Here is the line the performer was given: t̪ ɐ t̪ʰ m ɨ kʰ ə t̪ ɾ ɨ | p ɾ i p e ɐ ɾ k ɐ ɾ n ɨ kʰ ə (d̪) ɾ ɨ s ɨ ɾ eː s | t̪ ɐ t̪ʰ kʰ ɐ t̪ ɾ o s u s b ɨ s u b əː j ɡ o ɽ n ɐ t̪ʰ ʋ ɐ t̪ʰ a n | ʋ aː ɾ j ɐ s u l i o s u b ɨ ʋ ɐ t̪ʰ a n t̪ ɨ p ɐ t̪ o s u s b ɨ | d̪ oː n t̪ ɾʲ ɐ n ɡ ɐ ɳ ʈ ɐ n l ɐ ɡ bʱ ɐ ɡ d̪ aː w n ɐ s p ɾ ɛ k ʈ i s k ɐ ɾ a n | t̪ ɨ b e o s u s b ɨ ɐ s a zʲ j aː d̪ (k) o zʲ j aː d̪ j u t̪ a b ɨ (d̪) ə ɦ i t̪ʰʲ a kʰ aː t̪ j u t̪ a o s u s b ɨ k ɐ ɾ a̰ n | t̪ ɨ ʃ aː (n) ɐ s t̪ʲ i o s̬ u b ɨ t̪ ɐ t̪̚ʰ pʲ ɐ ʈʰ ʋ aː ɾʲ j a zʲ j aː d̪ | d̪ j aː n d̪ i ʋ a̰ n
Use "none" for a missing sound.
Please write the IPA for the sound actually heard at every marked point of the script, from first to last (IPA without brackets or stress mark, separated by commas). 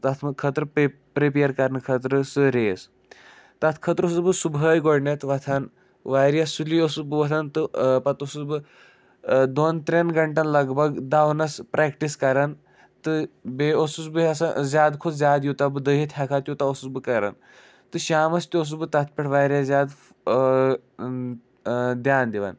t̪, kʰ, d̪, m